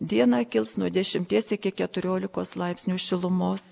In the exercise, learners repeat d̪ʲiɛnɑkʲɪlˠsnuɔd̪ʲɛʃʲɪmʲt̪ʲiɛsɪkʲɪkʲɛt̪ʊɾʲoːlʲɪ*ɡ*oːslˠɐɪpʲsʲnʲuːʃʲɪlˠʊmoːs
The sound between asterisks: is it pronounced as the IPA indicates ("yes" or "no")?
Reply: no